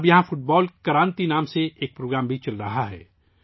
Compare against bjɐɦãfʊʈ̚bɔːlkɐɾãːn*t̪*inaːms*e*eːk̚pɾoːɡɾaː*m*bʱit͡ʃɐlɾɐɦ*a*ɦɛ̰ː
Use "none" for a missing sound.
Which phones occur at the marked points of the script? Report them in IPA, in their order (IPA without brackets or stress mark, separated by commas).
t̪, e, m, a